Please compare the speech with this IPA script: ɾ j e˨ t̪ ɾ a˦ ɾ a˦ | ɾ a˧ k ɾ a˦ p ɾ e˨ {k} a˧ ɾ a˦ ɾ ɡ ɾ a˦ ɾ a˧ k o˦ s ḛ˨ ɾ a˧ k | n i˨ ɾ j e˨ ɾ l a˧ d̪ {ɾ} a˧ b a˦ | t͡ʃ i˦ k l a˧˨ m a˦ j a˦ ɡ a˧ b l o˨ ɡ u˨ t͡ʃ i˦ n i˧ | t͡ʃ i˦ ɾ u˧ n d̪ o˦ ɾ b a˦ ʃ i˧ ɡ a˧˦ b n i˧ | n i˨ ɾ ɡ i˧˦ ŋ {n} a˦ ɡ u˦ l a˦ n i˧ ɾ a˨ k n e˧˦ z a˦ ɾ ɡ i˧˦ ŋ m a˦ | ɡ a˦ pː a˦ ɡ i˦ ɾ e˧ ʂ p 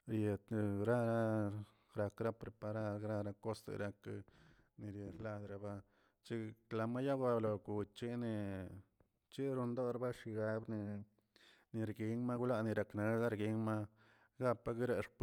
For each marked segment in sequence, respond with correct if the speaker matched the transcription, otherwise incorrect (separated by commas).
incorrect, correct, incorrect